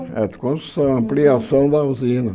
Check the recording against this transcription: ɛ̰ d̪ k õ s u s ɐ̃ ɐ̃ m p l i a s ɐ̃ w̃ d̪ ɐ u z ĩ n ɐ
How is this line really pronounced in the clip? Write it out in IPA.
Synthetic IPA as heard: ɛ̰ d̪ k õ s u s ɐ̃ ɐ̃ m p l i a s ɐ̃ w̃ d̪ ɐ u z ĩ n ɐ